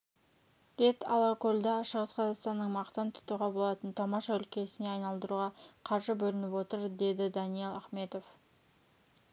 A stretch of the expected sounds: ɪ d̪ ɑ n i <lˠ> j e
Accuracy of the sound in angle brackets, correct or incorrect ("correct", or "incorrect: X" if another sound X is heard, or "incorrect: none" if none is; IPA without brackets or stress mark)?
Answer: incorrect: none